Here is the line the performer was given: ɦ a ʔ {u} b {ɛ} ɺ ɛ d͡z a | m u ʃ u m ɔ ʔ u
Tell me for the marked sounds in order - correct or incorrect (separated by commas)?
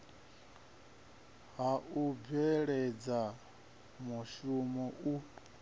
correct, correct